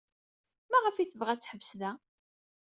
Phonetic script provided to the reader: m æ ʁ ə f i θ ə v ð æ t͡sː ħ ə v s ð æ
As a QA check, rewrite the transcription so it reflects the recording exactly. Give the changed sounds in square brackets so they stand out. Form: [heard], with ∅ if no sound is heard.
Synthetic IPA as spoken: m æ ʁ ə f i θ ə v [ʁ] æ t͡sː ħ ə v s ð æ